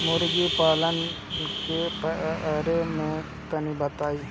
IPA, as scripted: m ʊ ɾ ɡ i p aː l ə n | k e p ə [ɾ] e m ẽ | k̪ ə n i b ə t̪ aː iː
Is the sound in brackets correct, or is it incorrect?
correct